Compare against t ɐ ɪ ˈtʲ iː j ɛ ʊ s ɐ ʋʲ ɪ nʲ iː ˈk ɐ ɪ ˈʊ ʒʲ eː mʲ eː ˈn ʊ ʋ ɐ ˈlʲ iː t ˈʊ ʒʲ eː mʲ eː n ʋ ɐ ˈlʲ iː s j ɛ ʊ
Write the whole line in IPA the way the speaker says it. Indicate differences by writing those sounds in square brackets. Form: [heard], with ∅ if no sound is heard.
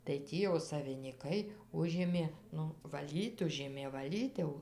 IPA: t ɐ ɪ ˈtʲ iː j ɛ ʊ s ɐ ʋʲ ɪ nʲ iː ˈk ɐ ɪ ˈʊ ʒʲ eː mʲ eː ˈn ʊ ʋ ɐ ˈlʲ iː t ˈʊ ʒʲ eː mʲ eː [∅] ʋ ɐ ˈlʲ iː [t] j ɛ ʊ